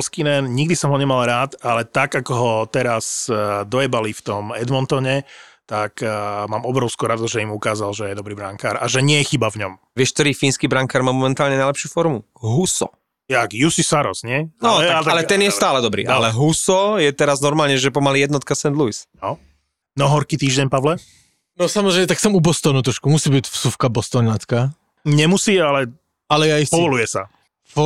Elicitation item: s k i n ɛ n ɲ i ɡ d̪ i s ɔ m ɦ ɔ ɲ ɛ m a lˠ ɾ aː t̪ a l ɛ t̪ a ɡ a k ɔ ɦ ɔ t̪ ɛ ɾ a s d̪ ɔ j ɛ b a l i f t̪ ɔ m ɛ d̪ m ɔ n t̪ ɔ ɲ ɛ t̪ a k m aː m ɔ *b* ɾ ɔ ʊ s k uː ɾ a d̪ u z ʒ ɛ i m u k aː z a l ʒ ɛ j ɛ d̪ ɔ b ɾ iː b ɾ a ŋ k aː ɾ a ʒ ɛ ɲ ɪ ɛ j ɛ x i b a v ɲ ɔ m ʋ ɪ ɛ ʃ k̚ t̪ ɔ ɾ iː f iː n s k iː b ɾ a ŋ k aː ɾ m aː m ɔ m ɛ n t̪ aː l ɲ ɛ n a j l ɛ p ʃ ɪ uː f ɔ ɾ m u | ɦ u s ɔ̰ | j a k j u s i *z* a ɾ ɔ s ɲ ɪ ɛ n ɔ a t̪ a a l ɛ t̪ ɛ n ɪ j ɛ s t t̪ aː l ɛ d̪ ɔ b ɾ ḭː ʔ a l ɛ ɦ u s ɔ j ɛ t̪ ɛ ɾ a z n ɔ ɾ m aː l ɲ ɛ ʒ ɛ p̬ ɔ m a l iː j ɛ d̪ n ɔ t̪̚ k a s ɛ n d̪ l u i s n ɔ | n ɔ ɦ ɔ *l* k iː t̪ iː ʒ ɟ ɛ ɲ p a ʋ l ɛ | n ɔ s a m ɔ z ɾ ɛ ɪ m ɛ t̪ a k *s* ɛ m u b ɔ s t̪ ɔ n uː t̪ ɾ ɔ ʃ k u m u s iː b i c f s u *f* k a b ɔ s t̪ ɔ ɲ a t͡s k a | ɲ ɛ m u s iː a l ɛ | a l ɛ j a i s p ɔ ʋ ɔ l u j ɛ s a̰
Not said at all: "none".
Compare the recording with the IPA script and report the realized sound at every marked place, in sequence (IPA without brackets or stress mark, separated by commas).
b, s, ɾ, s, f